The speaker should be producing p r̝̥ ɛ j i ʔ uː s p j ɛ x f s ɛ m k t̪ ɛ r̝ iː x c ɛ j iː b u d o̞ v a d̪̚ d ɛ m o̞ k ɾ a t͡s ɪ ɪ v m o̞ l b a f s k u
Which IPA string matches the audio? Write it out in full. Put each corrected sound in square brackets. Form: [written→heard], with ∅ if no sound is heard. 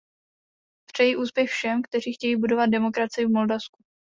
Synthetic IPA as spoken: p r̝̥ ɛ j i ʔ uː s p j ɛ x f [s→ʃ] ɛ m k t̪ ɛ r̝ iː x c ɛ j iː b u d o̞ v a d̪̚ d ɛ m o̞ k ɾ a t͡s ɪ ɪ v m o̞ l [b→d] a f s k u